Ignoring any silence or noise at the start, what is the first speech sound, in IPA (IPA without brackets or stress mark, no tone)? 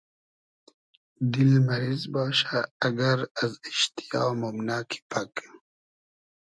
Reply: d̪